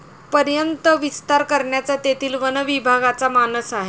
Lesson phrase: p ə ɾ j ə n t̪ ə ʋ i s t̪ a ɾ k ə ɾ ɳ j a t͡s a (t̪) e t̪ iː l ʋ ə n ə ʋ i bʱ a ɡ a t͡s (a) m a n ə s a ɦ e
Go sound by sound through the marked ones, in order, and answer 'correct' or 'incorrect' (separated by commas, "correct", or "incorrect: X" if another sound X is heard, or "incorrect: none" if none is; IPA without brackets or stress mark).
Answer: correct, correct